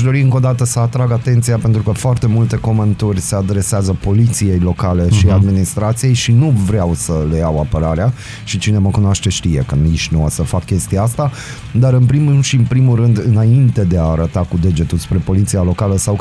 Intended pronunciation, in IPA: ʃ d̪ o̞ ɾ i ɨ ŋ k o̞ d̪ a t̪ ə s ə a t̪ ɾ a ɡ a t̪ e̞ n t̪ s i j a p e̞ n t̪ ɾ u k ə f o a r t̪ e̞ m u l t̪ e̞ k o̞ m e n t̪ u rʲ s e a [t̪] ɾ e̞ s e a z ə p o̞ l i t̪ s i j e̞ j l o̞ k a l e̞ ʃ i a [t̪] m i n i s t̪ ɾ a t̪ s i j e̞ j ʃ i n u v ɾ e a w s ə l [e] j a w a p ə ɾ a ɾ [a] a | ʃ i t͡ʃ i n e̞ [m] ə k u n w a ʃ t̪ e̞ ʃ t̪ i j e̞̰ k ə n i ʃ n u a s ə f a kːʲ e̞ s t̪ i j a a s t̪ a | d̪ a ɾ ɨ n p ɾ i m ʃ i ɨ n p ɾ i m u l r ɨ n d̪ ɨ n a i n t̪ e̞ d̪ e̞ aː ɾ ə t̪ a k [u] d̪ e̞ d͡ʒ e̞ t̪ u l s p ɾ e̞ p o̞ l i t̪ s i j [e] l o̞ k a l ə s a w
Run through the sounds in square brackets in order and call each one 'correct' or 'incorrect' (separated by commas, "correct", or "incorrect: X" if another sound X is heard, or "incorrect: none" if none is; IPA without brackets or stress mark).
incorrect: d̪, incorrect: d̪, correct, incorrect: e, correct, correct, incorrect: a